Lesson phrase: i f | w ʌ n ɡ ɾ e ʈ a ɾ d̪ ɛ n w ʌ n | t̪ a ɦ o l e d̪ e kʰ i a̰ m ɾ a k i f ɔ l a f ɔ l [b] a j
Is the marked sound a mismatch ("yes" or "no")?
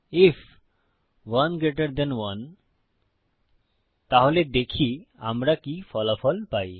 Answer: yes